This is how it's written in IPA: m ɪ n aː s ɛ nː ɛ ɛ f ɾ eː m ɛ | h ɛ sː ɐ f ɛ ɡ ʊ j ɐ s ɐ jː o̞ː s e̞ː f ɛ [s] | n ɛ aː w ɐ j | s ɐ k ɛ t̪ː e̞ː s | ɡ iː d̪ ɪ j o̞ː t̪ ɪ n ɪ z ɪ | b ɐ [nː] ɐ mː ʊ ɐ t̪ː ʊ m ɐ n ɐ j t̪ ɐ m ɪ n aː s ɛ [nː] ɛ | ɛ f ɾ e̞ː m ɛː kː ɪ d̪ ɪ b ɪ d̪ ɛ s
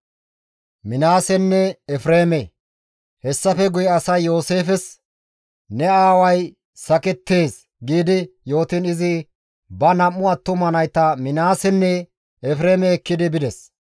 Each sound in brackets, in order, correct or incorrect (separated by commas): correct, incorrect, correct